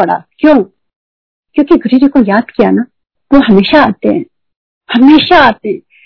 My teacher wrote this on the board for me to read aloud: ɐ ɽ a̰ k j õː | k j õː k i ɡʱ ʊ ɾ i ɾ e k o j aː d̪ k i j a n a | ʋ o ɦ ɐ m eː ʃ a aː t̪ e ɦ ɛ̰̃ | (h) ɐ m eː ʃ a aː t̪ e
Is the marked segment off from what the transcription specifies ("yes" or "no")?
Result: no